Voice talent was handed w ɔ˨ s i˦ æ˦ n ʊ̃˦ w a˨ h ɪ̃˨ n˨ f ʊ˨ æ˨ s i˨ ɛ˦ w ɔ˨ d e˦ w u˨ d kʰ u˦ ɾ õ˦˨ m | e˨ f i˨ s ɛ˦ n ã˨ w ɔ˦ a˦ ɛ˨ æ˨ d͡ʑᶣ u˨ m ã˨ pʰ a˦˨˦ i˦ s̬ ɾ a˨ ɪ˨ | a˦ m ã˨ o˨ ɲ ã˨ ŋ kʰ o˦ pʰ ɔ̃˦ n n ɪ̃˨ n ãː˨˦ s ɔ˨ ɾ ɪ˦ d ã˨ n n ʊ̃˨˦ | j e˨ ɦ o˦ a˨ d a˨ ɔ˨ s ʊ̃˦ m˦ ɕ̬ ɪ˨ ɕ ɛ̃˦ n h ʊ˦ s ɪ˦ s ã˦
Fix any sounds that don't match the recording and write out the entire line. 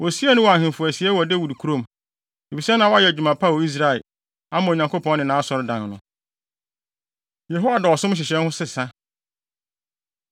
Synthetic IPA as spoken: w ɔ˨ s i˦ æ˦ n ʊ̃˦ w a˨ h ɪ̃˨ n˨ f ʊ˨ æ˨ s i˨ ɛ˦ w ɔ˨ d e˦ w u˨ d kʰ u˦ ɾ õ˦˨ m | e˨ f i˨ s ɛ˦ n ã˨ w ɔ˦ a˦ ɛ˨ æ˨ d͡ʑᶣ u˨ m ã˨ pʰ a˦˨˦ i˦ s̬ ɾ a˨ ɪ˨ | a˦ m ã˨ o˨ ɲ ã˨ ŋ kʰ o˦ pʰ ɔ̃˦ n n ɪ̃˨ n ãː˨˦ s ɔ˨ ɾ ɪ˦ d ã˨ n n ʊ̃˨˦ | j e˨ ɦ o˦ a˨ d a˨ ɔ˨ s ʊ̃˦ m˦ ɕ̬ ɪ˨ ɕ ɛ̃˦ n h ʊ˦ s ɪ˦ s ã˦